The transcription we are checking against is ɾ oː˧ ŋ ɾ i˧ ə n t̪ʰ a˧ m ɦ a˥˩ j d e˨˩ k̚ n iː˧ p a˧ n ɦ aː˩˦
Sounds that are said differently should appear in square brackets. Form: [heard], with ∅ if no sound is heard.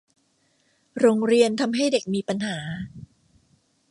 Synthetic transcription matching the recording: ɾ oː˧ ŋ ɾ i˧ ə n t̪ʰ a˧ m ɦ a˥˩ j d e˨˩ k̚ [m] iː˧ p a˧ n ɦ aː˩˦

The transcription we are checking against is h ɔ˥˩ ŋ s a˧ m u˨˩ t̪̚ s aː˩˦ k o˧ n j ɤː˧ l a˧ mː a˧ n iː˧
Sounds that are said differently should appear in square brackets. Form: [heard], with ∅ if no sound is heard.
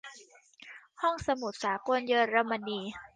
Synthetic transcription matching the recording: h ɔ˥˩ ŋ s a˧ m u˨˩ t̪̚ s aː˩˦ k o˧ n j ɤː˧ [ɾ] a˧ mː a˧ n iː˧

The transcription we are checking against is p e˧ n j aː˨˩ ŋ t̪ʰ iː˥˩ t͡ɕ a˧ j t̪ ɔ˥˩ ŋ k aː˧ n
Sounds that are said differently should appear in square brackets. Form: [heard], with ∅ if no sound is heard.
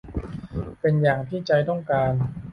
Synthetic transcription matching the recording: p e˧ n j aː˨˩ ŋ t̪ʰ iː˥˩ t͡ɕ a˧ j t̪ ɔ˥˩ ŋ k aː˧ n

